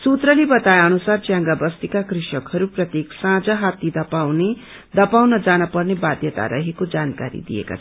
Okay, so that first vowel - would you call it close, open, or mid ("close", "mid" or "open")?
close